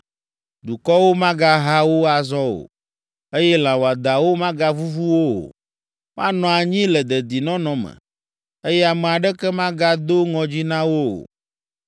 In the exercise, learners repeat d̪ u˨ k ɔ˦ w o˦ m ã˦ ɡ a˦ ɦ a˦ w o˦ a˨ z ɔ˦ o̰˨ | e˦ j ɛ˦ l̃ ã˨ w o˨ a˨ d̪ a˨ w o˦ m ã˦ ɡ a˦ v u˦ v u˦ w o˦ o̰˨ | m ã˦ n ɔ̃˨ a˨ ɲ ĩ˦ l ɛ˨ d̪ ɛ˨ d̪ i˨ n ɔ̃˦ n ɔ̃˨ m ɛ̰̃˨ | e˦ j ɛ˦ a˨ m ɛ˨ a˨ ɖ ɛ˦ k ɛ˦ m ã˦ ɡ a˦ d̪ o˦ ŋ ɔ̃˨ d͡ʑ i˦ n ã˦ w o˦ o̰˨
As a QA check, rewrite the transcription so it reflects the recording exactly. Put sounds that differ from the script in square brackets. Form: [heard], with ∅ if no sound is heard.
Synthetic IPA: d̪ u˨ k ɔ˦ w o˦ m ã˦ ɡ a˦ ɦ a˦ w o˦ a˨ z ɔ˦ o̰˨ | e˦ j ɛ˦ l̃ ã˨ w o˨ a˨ d̪ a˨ w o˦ m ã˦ ɡ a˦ v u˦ v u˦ w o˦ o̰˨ | m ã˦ n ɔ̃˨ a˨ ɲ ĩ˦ l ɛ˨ d̪ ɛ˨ d̪ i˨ n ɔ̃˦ n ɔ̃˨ m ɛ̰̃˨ | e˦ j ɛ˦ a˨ m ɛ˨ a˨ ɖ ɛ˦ k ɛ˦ m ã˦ ɡ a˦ d̪ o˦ ŋ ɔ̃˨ d͡ʑ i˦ n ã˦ w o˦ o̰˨